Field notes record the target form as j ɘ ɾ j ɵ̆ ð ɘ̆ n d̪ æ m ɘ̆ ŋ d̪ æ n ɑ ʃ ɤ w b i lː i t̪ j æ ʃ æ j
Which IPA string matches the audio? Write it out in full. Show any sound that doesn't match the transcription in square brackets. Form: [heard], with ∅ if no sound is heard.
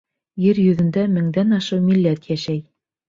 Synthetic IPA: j ɘ ɾ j ɵ̆ ð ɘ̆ n d̪ æ m ɘ̆ ŋ d̪ æ n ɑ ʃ ɤ w [m] i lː [æ] t̪ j æ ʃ æ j

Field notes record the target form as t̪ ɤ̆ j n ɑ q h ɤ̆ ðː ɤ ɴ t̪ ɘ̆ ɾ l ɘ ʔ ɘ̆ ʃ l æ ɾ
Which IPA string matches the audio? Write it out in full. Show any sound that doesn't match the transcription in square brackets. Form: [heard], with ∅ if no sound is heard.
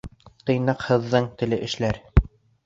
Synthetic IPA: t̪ ɤ̆ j n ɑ q h ɤ̆ ðː ɤ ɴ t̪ ɘ̆ [∅] l ɘ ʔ ɘ̆ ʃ l æ ɾ

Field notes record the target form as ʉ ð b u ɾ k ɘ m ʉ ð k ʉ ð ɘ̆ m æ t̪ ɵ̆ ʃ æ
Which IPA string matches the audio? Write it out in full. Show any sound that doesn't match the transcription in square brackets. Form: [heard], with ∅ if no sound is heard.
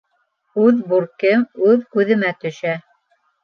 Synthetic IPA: ʉ ð b u ɾ k ɘ m ʉ ð k ʉ ð ɘ̆ m æ t̪ ɵ̆ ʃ æ

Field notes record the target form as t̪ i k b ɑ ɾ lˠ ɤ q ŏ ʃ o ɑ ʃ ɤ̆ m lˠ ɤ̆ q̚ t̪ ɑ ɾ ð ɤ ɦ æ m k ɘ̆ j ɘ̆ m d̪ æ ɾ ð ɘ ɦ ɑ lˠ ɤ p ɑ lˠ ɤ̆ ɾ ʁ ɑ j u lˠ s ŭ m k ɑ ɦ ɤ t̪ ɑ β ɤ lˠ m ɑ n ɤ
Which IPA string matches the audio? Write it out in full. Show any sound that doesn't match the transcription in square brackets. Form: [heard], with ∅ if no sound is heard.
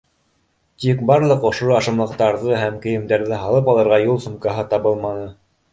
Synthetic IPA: t̪ i k b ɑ ɾ lˠ ɤ q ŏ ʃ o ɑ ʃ ɤ̆ m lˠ ɤ̆ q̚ t̪ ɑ ɾ ð ɤ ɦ æ m k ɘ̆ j ɘ̆ m d̪ æ ɾ ð ɘ ɦ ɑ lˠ ɤ p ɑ lˠ ɤ̆ ɾ ʁ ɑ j u lˠ s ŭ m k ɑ ɦ ɤ t̪ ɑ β ɤ lˠ m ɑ n ɤ

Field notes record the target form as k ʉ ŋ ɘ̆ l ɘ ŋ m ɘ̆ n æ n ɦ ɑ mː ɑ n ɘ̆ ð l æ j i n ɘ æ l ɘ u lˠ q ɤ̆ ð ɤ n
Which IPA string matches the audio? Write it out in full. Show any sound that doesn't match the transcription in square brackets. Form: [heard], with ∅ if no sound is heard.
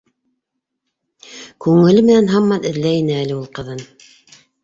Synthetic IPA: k ʉ ŋ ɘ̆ l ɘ [∅] m ɘ̆ n æ n ɦ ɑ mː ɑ n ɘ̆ ð l æ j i n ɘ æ l ɘ u lˠ q ɤ̆ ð ɤ n

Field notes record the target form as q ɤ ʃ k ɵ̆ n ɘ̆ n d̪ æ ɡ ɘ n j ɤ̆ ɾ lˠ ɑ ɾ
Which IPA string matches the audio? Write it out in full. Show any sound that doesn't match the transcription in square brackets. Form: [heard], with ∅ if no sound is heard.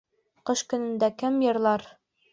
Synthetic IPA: q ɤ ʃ k ɵ̆ n ɘ̆ n d̪ æ [k] ɘ [m] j ɤ̆ ɾ lˠ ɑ ɾ

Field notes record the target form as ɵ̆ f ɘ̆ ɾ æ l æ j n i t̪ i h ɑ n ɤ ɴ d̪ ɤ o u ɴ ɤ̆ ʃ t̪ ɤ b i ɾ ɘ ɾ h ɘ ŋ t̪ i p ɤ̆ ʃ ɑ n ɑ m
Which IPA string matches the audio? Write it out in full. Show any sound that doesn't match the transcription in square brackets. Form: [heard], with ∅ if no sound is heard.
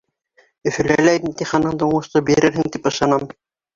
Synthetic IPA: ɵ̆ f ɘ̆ [l] æ l æ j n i t̪ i [χ] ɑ n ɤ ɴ d̪ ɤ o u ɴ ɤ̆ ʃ t̪ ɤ b i ɾ ɘ ɾ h ɘ ŋ t̪ i p ɤ̆ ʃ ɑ n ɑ m

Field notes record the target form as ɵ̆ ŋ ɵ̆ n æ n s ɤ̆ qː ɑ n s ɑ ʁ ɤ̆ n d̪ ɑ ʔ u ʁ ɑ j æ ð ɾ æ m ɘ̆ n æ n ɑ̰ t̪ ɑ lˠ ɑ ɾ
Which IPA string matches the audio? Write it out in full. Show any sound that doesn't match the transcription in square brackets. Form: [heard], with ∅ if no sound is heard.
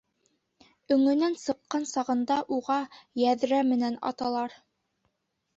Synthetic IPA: ɵ̆ ŋ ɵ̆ n æ n s ɤ̆ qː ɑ n s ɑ ʁ ɤ̆ n d̪ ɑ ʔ u ʁ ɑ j æ ð ɾ æ m ɘ̆ n æ n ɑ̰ t̪ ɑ lˠ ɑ ɾ

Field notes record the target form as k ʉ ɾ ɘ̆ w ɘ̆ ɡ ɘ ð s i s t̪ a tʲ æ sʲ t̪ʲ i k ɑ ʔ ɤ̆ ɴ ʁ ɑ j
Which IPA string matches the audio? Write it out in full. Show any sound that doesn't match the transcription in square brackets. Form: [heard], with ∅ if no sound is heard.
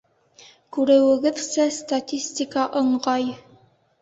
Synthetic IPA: k ʉ ɾ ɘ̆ w ɘ̆ ɡ ɘ ð s [æ] s t̪ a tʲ [i] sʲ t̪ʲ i k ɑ ʔ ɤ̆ ɴ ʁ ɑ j

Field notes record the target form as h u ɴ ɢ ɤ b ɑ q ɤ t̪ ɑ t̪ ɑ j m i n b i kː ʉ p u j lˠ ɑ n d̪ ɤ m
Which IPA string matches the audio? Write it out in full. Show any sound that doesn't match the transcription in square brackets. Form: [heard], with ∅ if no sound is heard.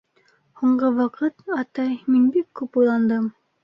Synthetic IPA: h u ɴ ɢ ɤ [w] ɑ q ɤ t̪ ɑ t̪ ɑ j m i n b i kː ʉ p u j lˠ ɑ n d̪ ɤ m

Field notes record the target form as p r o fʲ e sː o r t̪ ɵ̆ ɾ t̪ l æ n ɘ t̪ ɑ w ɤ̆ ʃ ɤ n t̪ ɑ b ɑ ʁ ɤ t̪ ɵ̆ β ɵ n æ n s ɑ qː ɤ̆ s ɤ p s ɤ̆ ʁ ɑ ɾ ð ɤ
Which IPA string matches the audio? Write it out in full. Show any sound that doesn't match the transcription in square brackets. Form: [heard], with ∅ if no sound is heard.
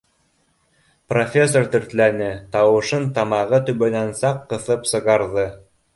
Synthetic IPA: p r o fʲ e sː o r t̪ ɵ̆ ɾ t̪ l æ n ɘ t̪ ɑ w ɤ̆ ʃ ɤ n t̪ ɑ [m] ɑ ʁ ɤ t̪ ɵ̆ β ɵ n æ n s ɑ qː ɤ̆ [θ] ɤ p s ɤ̆ ʁ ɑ ɾ ð ɤ

